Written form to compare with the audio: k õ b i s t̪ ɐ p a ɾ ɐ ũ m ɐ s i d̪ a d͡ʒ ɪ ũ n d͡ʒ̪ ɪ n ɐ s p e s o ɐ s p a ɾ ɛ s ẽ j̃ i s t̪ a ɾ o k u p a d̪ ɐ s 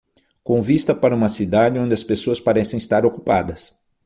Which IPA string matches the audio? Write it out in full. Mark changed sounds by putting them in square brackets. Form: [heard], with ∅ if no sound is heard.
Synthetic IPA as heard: k õ [v] i s t̪ ɐ p a ɾ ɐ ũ m ɐ s i d̪ a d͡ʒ ɪ [õ] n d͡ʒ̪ ɪ [∅] ɐ s p e s o ɐ s p a ɾ ɛ s ẽ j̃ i s t̪ a ɾ o k u p a d̪ ɐ s